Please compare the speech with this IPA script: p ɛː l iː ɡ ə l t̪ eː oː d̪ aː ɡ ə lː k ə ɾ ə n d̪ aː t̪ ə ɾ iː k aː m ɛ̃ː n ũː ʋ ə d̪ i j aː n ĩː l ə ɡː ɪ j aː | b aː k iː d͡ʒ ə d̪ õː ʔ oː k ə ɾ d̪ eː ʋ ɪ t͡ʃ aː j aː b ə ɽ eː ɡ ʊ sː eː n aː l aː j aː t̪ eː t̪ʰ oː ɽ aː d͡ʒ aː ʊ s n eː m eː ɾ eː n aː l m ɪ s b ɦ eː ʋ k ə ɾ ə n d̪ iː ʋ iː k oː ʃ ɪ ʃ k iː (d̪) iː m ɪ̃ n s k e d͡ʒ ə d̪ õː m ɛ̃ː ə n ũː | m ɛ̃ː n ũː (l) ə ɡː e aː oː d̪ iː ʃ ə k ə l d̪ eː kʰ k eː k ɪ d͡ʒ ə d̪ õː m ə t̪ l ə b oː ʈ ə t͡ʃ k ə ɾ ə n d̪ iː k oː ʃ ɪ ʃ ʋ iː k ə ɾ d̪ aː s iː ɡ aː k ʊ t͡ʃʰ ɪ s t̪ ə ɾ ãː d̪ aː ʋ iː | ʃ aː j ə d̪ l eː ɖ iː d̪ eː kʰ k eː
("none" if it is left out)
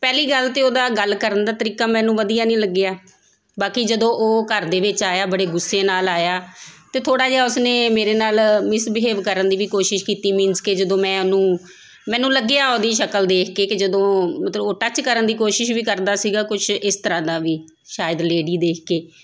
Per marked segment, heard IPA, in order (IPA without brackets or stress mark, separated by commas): t̪, l